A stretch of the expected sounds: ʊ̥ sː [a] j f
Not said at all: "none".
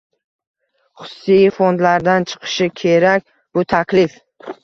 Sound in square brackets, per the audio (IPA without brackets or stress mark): i